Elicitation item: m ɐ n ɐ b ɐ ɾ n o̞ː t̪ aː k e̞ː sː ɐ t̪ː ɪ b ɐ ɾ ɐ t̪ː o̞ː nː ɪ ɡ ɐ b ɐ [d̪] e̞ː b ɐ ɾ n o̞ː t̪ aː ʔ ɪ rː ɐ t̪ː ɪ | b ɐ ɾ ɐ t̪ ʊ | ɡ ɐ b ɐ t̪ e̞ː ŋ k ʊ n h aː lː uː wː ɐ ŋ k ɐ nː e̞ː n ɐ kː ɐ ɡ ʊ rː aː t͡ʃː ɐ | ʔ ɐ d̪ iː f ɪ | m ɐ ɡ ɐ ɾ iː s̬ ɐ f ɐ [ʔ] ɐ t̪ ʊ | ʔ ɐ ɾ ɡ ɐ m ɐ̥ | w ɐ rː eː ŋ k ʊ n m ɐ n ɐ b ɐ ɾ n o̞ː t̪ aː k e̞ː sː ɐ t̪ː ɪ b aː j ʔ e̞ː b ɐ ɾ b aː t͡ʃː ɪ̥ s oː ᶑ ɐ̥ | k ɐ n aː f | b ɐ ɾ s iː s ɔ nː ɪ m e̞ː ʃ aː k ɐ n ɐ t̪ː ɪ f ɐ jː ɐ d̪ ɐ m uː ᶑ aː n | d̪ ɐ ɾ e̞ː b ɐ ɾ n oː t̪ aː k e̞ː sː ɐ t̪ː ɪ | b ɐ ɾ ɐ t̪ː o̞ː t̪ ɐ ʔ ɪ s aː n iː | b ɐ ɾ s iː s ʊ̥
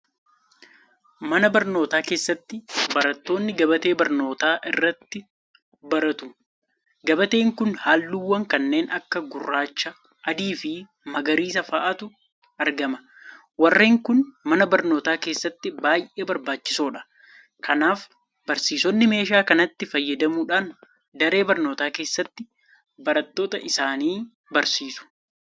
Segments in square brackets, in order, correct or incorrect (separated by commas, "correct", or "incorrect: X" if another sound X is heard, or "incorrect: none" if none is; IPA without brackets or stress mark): incorrect: t̪, correct